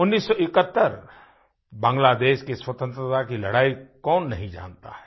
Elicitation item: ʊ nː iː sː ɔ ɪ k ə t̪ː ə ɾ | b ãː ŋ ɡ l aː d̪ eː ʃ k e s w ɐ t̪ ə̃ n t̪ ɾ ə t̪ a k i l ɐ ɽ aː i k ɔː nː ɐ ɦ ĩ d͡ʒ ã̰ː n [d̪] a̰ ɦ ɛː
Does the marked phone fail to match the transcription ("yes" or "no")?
yes